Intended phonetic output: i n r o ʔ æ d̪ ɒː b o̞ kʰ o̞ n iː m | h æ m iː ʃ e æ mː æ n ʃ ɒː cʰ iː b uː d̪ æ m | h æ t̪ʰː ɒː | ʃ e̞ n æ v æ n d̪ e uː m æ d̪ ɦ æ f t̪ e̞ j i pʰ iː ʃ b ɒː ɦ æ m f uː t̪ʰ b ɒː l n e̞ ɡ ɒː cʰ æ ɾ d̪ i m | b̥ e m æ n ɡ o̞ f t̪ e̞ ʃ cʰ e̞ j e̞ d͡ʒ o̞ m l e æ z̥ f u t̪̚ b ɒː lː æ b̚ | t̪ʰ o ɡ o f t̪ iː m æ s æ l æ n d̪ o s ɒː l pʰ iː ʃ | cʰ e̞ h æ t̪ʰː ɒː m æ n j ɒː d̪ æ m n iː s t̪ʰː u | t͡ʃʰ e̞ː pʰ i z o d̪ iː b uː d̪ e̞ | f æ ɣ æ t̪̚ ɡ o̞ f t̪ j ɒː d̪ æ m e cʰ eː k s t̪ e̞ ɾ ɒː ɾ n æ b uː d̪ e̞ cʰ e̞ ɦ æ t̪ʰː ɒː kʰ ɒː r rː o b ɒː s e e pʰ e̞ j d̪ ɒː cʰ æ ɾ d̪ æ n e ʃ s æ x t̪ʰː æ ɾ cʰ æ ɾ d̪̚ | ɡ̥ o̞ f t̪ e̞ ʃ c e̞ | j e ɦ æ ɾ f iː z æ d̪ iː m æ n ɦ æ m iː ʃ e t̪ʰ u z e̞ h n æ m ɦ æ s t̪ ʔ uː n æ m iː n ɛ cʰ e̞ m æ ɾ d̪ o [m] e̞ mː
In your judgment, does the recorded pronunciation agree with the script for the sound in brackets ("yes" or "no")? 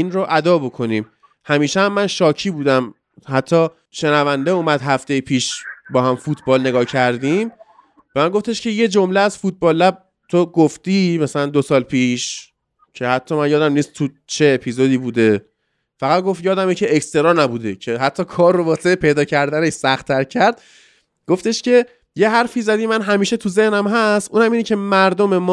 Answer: yes